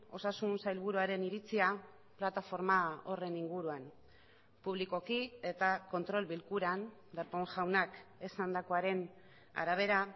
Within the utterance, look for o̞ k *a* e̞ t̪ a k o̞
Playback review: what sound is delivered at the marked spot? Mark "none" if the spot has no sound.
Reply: i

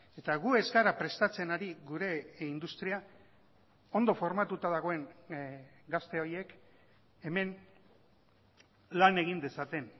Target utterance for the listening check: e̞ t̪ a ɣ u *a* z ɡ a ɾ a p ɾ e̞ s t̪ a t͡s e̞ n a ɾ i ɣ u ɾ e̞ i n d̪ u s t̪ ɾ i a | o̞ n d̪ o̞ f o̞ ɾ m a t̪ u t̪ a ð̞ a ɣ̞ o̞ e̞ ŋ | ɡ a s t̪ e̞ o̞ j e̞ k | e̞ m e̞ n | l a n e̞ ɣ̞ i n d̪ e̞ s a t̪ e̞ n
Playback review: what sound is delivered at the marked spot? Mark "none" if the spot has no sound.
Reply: e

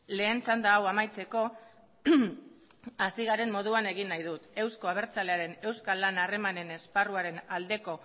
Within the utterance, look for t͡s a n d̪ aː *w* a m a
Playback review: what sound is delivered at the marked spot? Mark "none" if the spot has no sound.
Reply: w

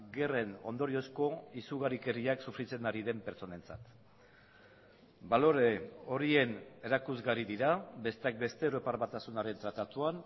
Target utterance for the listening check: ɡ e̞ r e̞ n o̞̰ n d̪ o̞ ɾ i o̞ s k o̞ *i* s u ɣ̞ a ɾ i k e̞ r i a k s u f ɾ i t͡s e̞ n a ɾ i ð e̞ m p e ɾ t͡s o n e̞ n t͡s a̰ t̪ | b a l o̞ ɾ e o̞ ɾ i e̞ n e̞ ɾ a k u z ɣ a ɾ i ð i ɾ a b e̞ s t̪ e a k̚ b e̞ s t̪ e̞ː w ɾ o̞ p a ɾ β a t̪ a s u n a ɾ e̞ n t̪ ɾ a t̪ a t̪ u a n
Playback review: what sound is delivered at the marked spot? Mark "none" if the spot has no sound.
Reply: i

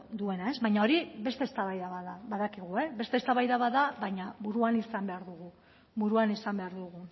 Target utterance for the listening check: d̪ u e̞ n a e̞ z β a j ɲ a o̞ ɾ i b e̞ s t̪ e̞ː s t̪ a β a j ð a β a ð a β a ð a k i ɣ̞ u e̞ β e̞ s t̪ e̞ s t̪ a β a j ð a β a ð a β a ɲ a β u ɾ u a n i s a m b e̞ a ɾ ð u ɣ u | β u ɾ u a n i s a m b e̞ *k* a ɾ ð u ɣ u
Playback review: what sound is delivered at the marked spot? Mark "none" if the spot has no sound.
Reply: none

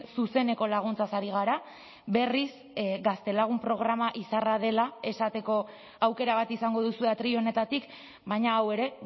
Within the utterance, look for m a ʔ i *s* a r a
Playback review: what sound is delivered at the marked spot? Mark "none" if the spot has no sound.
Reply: s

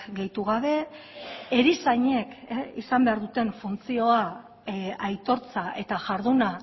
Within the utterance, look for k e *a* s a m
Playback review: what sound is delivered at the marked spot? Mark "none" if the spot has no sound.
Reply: i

